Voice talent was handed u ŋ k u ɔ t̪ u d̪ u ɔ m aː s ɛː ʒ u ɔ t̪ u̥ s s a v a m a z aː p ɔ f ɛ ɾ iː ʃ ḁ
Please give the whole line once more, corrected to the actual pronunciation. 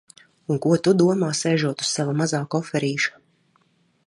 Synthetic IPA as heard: u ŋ k u ɔ t̪ u d̪ u ɔ m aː s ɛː ʒ u ɔ t̪ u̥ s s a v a m a z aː k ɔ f ɛ ɾ iː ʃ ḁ